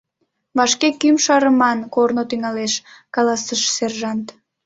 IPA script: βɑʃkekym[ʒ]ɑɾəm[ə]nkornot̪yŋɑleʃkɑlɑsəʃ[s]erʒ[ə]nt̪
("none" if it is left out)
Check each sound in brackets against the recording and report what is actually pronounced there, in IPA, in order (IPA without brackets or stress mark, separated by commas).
ʃ, ɑ, s, ɑ